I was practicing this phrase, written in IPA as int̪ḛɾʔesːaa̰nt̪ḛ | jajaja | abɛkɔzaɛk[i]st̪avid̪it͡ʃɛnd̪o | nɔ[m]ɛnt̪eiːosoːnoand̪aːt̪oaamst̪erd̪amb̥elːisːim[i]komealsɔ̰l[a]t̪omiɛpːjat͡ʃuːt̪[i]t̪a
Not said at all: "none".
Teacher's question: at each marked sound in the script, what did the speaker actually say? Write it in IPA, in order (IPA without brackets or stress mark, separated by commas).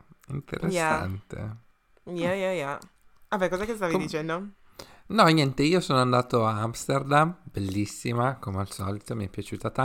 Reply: e, ɲ, a, i, a